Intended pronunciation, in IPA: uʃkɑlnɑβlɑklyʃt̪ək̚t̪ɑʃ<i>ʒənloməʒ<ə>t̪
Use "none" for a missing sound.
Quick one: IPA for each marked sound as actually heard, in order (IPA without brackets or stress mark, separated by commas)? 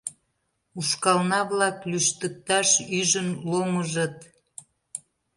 y, ə